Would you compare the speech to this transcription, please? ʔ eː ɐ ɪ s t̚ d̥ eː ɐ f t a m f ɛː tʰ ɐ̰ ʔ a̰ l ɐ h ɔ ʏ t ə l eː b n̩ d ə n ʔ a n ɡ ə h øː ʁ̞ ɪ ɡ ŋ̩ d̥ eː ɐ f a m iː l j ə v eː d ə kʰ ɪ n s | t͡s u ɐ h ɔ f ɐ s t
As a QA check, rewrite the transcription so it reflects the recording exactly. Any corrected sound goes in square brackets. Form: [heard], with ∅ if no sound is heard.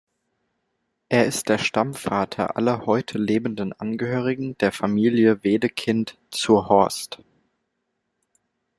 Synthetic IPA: ʔ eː ɐ ɪ s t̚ d̥ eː ɐ [ʃ] t a m f [aː] tʰ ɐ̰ ʔ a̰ l ɐ h ɔ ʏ [tʰ] ə l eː b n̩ d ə n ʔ a n ɡ ə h øː ʁ̞ ɪ ɡ ŋ̩ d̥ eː ɐ f a m iː l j ə v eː d ə kʰ ɪ n [t] | t͡s u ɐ h ɔ [∅] ɐ s t